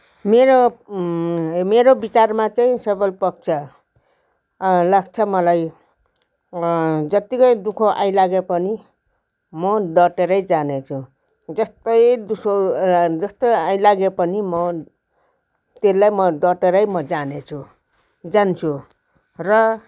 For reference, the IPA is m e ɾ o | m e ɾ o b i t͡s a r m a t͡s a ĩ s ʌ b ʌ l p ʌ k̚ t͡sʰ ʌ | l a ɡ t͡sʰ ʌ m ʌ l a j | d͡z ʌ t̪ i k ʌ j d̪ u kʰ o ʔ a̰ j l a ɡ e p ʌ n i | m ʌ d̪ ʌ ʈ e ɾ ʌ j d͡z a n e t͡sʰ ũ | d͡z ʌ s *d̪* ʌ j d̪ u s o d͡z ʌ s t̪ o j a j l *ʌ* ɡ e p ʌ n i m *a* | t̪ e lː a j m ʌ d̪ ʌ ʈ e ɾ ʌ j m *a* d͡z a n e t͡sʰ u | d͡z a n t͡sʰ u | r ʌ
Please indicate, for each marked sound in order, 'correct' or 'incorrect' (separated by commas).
incorrect, incorrect, incorrect, incorrect